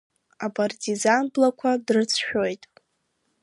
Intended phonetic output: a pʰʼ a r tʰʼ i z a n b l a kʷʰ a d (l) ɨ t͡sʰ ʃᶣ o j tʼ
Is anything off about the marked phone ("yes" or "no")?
yes